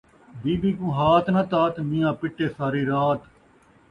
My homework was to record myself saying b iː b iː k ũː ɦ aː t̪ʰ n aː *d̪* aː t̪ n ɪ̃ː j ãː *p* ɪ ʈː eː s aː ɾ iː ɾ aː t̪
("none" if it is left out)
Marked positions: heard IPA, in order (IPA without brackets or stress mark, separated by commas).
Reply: t̪, p